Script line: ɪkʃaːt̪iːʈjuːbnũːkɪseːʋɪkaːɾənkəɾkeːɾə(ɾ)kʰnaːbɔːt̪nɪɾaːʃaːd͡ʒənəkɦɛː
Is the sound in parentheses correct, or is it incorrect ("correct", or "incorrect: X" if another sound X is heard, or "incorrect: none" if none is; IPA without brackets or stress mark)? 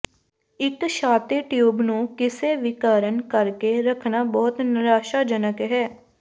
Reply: incorrect: none